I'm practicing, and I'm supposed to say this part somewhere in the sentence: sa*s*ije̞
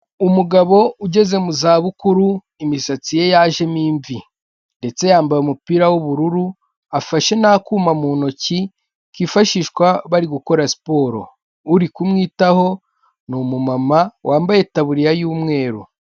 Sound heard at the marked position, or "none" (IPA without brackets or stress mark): t͡s